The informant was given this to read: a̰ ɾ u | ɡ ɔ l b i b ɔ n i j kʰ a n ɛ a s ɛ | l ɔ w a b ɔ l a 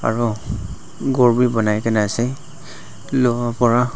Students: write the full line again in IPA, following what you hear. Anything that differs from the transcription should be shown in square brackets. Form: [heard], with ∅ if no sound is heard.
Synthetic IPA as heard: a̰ [ɹ] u | ɡ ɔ [ɹ] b i b ɔ n [a] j [k] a n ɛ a s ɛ | l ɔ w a [p] ɔ [ɹ] a